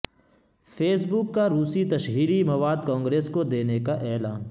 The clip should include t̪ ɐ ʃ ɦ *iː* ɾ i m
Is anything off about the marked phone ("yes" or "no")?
no